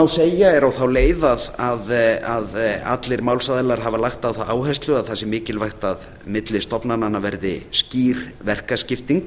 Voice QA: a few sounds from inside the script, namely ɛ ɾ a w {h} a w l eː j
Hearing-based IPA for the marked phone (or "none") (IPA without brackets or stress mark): θ